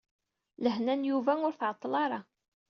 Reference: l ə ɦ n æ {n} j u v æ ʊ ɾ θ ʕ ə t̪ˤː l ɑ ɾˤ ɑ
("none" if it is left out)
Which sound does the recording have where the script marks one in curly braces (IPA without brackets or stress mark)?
n